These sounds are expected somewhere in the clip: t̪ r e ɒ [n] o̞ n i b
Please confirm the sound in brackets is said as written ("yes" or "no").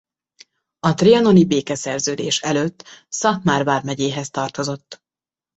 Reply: yes